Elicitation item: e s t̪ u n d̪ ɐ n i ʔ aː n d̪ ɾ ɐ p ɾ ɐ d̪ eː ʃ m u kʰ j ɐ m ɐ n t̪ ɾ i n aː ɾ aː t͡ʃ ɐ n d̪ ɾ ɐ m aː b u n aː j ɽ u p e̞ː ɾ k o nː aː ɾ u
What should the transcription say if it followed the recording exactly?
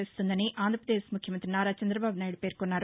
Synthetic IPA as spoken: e s t̪ u n d̪ ɐ n i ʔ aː n d̪ ɾ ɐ p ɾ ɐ d̪ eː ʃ m u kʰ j ɐ m ɐ n t̪ ɾ i n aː ɾ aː t͡ʃ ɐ n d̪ ɾ ɐ b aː b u n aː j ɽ u p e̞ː ɾ k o nː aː ɾ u

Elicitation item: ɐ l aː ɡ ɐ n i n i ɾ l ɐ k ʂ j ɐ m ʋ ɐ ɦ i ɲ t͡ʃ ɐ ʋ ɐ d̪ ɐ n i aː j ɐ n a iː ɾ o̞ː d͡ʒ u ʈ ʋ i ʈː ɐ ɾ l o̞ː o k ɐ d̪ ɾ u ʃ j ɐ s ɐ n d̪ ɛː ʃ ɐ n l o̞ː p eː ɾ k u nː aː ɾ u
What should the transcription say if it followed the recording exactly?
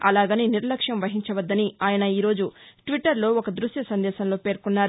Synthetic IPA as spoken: ɐ l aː ɡ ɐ n i n i ɾ l ɐ k ʂ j ɐ m ʋ ɐ ɦ i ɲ t͡ʃ ɐ ʋ ɐ d̪ː ɐ n i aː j ɐ n ɐ iː ɾ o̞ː d͡ʒ u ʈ ʋ i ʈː ɐ ɾ l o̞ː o k ɐ d̪ ɾ u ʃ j ɐ s ɐ n d̪ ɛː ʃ ɐ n l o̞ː p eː ɾ k u nː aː ɾ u

